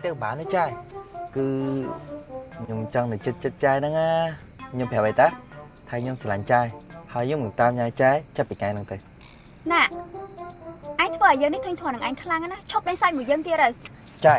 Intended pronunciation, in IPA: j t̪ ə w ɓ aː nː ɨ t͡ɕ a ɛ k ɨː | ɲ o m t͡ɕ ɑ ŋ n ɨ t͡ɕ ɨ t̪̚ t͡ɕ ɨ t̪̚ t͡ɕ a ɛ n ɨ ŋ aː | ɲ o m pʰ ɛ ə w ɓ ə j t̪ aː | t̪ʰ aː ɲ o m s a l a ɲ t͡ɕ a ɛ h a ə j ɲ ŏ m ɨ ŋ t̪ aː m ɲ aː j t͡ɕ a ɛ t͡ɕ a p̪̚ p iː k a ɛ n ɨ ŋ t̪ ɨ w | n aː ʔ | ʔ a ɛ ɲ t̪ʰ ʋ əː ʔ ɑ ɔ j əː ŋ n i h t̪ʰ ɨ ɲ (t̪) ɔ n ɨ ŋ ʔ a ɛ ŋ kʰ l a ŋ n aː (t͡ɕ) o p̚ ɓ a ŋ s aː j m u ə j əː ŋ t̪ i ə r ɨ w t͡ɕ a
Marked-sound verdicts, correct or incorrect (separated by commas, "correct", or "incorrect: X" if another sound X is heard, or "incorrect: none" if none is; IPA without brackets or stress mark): incorrect: t̪ʰ, incorrect: t͡ɕʰ